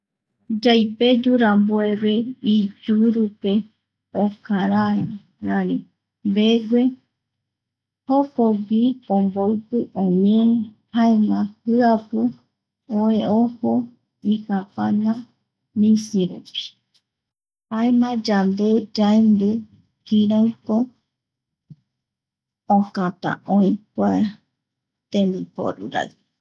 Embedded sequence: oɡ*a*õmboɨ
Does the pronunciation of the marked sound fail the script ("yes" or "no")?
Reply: yes